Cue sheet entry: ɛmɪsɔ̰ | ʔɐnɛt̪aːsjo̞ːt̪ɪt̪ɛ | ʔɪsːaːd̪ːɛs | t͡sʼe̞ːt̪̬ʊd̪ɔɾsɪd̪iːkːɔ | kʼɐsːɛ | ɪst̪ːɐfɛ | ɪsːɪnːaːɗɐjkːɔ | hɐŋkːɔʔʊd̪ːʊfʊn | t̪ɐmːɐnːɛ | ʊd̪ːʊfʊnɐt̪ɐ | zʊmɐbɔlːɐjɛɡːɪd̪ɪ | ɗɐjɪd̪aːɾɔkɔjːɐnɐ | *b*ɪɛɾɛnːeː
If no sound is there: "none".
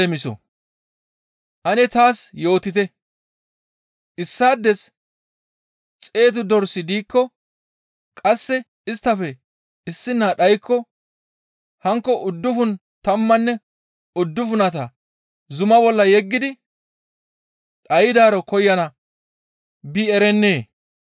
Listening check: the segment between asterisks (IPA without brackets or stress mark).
b